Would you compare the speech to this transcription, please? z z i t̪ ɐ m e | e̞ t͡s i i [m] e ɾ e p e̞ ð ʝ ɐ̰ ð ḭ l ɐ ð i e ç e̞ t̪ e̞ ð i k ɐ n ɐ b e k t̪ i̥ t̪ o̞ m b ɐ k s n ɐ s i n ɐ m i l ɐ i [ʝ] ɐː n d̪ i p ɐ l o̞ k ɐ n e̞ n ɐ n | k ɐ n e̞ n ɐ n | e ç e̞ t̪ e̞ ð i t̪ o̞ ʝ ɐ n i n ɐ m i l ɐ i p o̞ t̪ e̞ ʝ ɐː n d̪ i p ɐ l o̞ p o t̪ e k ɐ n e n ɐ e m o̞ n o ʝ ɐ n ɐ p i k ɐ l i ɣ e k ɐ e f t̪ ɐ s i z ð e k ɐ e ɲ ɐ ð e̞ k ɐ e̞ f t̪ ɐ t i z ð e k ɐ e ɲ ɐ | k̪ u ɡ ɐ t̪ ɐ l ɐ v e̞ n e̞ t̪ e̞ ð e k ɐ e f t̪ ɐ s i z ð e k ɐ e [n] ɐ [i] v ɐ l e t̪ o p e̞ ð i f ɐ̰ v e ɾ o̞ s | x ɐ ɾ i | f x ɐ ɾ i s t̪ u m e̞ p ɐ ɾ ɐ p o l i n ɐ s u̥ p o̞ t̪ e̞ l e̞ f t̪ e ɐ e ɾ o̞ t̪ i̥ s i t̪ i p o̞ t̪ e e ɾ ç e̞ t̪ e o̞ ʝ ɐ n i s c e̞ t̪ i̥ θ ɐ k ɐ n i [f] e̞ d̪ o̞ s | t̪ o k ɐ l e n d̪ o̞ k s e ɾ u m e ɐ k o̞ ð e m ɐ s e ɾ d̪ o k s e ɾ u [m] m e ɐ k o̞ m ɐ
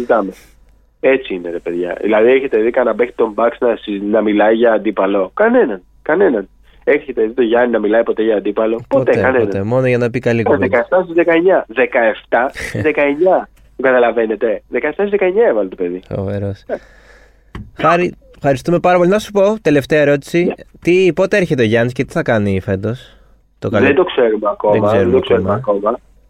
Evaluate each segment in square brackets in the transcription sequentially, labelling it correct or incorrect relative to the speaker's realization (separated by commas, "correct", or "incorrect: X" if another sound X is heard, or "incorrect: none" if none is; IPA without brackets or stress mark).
incorrect: n, correct, incorrect: ɲ, incorrect: e, correct, correct